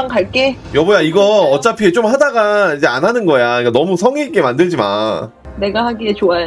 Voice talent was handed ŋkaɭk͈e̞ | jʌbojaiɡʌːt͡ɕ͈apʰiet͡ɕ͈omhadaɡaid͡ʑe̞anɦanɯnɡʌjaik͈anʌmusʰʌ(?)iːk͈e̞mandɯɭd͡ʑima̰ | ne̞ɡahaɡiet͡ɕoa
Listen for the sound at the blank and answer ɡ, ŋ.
ŋ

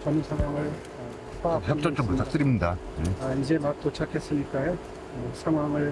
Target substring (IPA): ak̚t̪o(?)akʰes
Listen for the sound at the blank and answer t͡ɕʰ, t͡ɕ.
t͡ɕʰ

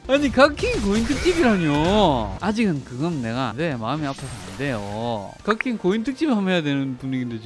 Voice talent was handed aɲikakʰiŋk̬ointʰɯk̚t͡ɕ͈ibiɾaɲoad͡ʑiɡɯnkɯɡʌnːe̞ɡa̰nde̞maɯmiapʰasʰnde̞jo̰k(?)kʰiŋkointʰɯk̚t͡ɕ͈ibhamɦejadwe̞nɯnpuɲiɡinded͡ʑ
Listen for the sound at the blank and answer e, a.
a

